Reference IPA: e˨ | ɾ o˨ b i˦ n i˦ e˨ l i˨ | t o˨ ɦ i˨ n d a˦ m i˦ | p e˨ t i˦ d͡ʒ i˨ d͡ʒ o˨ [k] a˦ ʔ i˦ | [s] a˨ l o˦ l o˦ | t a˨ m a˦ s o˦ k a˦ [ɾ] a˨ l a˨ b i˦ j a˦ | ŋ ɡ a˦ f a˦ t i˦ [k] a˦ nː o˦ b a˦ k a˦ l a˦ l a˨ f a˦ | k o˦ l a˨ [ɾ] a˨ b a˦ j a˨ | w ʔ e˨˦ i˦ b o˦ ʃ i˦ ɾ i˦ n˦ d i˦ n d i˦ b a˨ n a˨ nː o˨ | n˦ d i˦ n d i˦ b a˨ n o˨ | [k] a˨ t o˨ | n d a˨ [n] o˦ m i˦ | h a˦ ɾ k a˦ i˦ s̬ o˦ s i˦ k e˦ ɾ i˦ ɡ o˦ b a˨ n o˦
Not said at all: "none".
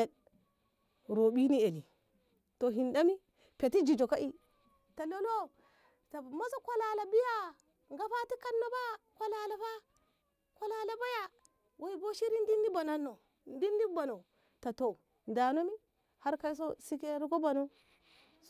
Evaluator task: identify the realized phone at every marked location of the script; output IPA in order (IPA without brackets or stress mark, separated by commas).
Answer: k, t, l, k, l, t, n